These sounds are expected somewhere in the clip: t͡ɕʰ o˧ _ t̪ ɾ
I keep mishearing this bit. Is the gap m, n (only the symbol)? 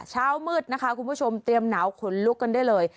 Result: m